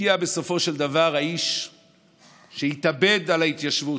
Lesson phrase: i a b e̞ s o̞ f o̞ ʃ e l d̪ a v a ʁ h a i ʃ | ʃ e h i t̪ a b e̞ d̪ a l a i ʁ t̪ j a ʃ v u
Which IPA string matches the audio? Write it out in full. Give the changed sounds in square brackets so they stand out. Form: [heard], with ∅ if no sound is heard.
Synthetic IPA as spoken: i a b e̞ s o̞ f o̞ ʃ e l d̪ a v a ʁ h a i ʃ | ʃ e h i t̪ a b e̞ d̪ a l a i [∅] t̪ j a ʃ v u